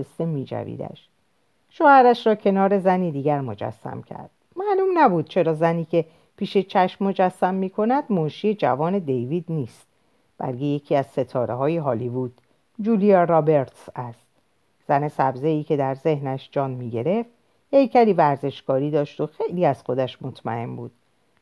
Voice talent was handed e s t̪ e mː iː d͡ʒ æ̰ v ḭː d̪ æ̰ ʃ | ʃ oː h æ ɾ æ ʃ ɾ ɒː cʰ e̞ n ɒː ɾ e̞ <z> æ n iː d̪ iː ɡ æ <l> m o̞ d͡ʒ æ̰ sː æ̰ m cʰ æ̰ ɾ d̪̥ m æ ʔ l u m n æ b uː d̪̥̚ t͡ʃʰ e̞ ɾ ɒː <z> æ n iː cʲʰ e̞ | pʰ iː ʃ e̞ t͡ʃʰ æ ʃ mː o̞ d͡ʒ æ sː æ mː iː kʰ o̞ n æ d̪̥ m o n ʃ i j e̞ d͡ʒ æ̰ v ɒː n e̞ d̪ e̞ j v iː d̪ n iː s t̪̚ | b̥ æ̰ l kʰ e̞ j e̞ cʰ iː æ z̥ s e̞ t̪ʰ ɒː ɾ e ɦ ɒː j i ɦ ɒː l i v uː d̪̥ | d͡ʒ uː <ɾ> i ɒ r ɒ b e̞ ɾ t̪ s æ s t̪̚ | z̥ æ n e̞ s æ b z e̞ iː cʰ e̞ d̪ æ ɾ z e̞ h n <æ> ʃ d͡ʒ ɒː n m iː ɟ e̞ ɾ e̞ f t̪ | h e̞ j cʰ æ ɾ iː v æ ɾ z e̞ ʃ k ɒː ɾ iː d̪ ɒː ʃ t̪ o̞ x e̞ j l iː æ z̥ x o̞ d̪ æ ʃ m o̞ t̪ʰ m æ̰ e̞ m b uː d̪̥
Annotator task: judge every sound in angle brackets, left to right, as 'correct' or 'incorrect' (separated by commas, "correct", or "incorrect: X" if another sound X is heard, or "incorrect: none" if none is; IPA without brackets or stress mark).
correct, incorrect: ɾ, correct, incorrect: l, correct